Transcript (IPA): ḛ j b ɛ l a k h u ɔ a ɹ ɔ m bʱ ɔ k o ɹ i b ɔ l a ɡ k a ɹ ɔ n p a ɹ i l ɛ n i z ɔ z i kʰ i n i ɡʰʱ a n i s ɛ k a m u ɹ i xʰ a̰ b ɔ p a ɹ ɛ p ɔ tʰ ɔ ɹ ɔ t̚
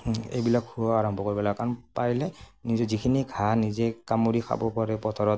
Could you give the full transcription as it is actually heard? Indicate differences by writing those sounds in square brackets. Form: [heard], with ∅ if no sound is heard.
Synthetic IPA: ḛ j b [i] l a k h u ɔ a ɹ ɔ m bʱ ɔ k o ɹ i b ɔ l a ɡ k a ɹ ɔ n p a ɹ i l ɛ n i z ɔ z i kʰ i n i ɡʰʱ a n i [z] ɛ k a m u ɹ i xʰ a̰ b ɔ p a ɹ ɛ p ɔ tʰ ɔ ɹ ɔ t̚